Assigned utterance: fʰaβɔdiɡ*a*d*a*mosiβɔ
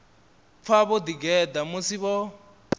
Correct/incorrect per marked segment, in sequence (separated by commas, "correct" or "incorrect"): incorrect, correct